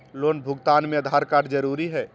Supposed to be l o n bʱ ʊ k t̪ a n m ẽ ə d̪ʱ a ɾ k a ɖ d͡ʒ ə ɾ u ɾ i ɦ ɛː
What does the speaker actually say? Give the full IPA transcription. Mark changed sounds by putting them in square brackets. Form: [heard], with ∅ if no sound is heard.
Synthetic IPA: l o n bʱ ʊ [ɡ] t̪ a n m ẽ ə d̪ʱ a ɾ k a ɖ d͡ʒ ə ɾ u ɾ i ɦ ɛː